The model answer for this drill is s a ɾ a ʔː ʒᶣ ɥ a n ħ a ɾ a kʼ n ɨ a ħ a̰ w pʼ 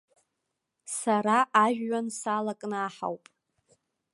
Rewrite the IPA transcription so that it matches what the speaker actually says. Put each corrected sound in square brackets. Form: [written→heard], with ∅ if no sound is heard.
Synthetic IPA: s a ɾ a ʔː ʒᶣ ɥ a n [ħ→s] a [ɾ→l] a kʼ n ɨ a ħ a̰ w pʼ